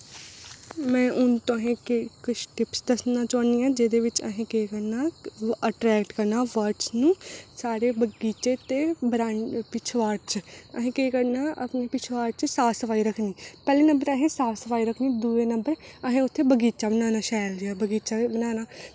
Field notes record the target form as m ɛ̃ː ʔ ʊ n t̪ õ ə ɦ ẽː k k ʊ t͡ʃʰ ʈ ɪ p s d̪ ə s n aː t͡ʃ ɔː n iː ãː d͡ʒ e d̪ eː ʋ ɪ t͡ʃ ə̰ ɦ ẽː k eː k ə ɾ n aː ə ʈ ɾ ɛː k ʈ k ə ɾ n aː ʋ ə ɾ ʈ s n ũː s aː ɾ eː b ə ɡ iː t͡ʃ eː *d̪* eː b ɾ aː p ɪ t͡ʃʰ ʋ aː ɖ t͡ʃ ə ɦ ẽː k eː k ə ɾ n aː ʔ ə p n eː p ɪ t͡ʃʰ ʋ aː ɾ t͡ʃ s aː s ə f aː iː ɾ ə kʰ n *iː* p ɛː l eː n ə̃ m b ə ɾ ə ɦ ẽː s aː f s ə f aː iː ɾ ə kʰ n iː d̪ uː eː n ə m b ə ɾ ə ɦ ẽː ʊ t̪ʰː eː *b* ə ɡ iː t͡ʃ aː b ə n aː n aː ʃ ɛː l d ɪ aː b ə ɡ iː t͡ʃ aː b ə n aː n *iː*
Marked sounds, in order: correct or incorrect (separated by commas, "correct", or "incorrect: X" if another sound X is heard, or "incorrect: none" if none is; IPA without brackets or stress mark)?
incorrect: t̪, correct, correct, incorrect: aː